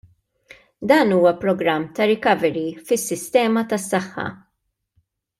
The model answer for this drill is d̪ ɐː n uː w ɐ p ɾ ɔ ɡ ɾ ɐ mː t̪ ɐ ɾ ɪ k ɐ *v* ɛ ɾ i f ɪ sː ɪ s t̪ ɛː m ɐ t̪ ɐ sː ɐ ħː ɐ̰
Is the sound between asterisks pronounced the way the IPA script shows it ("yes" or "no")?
yes